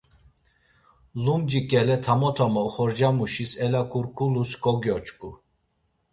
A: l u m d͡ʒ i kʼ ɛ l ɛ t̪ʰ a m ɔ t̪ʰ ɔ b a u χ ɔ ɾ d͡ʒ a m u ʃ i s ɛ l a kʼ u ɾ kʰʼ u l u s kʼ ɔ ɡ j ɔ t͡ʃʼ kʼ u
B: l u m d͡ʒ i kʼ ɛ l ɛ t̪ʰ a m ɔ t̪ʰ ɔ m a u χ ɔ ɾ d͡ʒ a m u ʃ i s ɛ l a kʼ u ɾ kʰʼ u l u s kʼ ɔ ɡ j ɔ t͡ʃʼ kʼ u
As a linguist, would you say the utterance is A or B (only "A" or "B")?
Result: B